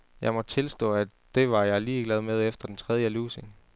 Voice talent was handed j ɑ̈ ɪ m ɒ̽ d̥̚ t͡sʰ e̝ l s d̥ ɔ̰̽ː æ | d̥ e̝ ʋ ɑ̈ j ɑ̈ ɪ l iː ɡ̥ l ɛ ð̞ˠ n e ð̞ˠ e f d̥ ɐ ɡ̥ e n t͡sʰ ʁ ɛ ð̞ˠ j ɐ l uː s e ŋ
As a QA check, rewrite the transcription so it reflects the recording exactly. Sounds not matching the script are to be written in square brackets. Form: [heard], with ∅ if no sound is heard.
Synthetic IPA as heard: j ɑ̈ ɪ m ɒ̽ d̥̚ t͡sʰ e̝ l s d̥ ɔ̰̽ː æ | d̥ e̝ ʋ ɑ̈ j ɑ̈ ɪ l iː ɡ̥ l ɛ ð̞ˠ [m] e ð̞ˠ e f d̥ ɐ [d̥] e n t͡sʰ ʁ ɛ ð̞ˠ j [ə] l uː s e ŋ

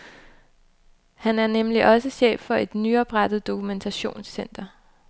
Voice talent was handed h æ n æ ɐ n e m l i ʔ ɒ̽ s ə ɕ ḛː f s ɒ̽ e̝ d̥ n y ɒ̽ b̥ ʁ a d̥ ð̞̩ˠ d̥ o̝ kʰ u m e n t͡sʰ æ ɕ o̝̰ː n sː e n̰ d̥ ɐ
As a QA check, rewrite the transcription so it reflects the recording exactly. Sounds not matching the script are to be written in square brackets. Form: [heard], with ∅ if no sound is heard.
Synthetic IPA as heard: h æ n æ ɐ n e m l i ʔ ɒ̽ s ə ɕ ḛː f [f] ɒ̽ e̝ d̥ n y ɒ̽ b̥ ʁ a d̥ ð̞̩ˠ d̥ o̝ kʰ u m e n t͡sʰ æ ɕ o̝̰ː n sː e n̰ d̥ ɐ

